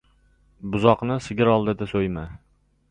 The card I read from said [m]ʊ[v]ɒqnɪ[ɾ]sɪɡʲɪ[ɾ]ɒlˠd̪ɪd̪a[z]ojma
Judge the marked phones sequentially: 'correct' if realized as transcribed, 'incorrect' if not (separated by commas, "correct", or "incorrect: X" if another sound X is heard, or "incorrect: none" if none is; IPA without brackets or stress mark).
incorrect: b, incorrect: z, incorrect: none, correct, incorrect: s